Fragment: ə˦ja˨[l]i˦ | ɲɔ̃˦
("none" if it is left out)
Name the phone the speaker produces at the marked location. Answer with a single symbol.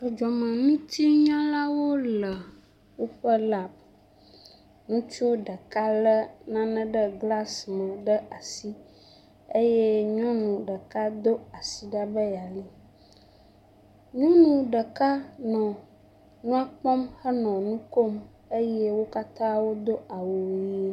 l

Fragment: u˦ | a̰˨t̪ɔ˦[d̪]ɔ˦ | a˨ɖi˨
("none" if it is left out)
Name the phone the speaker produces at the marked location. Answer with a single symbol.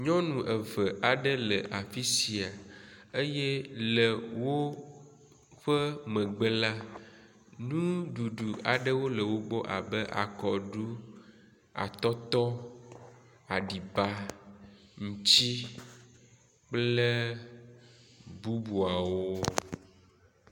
t̪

